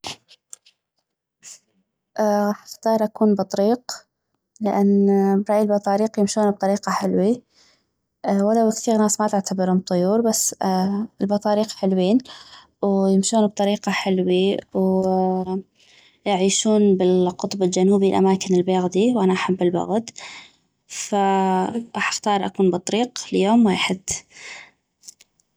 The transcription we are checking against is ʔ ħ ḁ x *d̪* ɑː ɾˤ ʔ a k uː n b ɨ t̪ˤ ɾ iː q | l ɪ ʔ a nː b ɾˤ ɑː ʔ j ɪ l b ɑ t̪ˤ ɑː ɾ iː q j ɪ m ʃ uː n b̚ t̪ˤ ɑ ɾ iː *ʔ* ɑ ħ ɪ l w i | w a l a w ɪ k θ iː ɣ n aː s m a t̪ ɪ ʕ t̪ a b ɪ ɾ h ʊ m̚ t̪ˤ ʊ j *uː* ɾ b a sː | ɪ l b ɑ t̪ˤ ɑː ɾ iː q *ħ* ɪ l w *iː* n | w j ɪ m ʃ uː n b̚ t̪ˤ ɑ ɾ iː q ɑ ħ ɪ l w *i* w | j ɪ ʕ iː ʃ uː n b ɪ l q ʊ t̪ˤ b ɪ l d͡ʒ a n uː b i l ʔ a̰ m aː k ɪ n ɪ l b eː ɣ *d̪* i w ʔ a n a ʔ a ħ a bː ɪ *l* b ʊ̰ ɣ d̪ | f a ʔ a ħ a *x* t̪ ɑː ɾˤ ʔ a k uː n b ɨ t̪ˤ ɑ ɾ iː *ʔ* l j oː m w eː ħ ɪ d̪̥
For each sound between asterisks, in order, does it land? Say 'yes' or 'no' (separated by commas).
no, no, yes, yes, yes, yes, yes, yes, yes, no